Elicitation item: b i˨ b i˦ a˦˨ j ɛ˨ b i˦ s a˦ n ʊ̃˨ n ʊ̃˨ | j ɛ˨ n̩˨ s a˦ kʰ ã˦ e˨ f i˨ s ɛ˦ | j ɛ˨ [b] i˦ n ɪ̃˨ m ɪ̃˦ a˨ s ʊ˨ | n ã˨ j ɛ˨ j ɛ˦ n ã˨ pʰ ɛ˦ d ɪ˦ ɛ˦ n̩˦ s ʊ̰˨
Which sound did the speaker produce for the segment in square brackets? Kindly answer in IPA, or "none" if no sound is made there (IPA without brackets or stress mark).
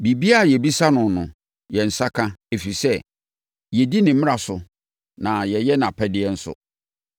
d